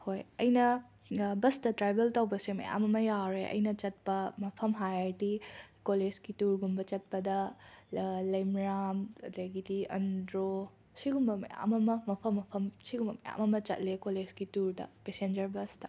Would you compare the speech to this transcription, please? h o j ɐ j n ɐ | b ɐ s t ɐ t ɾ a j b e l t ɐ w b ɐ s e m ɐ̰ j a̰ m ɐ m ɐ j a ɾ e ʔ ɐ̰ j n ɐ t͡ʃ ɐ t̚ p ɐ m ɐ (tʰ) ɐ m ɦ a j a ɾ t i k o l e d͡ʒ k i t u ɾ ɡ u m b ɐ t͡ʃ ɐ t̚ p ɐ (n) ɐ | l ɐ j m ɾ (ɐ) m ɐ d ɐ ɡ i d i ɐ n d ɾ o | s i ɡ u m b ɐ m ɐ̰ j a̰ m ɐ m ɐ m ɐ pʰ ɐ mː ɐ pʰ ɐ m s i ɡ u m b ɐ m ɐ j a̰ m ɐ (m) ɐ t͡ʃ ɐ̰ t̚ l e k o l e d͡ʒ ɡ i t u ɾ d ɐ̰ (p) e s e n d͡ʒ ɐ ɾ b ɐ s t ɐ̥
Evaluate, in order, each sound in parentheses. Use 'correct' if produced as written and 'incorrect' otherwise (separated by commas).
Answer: incorrect, incorrect, incorrect, correct, correct